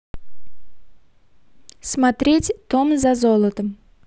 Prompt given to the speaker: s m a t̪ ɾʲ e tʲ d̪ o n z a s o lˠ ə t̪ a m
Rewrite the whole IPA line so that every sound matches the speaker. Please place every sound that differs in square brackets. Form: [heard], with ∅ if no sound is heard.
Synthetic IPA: s m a t̪ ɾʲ e tʲ [t̪] o [m] z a [z] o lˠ ə t̪ [ə] m